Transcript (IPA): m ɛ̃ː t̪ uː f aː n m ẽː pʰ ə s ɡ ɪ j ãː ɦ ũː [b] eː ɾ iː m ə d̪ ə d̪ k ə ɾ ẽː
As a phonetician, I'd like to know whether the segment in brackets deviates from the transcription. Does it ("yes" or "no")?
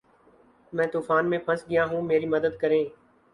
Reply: yes